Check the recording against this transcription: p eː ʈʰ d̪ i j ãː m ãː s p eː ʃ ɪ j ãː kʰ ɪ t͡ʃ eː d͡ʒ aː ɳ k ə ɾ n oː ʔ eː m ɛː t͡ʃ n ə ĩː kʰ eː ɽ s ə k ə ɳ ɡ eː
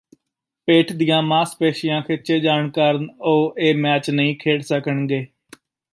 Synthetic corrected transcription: p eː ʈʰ d̪ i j ãː m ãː s p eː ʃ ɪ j ãː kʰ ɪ t͡ʃ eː d͡ʒ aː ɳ k ə ɾ n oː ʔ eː m ɛː t͡ʃ n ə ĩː kʰ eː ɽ s ə k ə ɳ ɡ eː